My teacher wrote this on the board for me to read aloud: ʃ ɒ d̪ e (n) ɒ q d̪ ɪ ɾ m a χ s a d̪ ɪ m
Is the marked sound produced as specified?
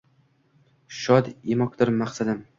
no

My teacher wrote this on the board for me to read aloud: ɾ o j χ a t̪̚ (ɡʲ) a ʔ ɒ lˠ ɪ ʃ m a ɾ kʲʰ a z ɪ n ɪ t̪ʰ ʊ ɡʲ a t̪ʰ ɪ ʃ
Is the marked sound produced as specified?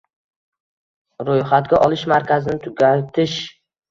yes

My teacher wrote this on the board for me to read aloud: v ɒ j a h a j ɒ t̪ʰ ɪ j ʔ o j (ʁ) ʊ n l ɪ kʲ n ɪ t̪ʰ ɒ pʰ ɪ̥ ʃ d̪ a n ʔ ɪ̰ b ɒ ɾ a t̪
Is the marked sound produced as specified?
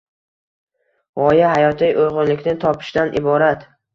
yes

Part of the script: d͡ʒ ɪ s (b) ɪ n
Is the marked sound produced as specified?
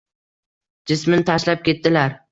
no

